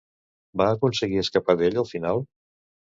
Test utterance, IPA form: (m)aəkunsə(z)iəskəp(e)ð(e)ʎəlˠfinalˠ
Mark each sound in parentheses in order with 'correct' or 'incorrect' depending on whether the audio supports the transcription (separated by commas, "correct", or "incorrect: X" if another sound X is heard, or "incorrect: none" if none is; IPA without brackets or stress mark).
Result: incorrect: b, incorrect: ɣ, incorrect: a, correct